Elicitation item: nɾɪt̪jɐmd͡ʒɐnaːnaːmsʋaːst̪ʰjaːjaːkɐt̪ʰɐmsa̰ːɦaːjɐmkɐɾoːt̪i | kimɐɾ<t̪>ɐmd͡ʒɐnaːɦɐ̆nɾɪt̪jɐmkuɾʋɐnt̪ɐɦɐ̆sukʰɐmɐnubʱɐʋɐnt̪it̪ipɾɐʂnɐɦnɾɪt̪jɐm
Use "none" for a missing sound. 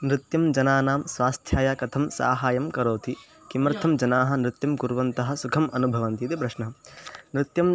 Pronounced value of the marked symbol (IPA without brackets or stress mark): t̪ʰ